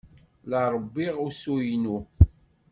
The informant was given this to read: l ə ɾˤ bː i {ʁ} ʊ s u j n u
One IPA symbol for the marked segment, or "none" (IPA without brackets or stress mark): ʁ